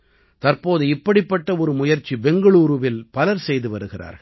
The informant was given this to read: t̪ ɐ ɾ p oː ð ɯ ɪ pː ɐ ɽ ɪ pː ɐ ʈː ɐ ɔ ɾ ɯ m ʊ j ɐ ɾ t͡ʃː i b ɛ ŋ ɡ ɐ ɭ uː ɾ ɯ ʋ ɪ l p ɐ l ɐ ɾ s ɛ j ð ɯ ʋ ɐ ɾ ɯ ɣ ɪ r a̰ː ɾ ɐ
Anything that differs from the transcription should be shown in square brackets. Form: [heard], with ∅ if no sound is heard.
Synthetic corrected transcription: t̪ ɐ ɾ p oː ð ɯ ɪ pː ɐ ɽ ɪ pː ɐ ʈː ɐ ɔ ɾ ɯ m ʊ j ɐ ɾ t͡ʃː i b ɛ ŋ ɡ ɐ ɭ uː ɾ ɯ ʋ ɪ l p ɐ l ɐ ɾ s ɛ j ð ɯ ʋ ɐ ɾ ɯ ɣ ɪ r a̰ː ɾ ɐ